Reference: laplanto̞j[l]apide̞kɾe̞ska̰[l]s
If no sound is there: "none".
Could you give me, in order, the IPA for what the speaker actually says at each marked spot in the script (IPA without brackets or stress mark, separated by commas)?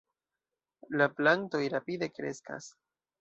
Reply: ɾ, none